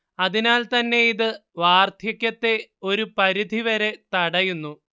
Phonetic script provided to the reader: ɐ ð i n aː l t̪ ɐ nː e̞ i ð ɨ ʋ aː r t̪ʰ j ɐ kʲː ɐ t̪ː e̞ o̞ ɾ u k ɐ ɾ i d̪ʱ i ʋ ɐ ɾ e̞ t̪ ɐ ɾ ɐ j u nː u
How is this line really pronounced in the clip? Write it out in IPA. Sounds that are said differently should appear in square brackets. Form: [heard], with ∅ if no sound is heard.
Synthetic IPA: ɐ ð i n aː l t̪ ɐ nː e̞ i ð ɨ ʋ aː r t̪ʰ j ɐ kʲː ɐ t̪ː e̞ o̞ ɾ u [p] ɐ ɾ i d̪ʱ i ʋ ɐ ɾ e̞ t̪ ɐ [ɽ] ɐ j u nː u